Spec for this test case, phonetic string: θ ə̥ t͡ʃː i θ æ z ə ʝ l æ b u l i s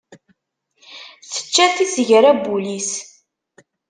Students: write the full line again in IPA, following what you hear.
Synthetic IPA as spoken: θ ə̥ t͡ʃː æ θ i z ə ʝ ɾ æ b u l i s